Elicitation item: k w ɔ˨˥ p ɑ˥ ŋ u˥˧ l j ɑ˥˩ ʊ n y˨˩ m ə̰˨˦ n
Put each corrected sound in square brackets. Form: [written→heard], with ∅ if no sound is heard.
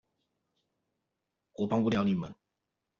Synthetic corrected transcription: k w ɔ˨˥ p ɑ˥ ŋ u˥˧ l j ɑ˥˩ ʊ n [y˨˩→i˨˩] m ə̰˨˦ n